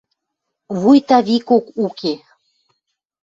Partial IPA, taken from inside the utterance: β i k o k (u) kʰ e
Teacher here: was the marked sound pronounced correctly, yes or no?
yes